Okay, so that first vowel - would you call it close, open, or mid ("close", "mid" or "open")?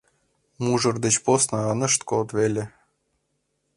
close